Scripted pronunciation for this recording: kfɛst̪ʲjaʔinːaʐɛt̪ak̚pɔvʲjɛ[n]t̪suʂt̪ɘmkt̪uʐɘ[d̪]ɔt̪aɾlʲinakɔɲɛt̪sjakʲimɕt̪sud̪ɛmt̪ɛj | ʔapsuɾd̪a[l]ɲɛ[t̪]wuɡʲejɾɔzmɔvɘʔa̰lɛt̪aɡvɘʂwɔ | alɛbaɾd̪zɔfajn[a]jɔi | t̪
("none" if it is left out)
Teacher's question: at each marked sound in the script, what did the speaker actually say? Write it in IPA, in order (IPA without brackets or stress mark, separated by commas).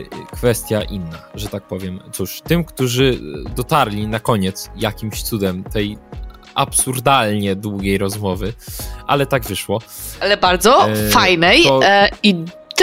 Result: m, d̪, l, d̪, ɛ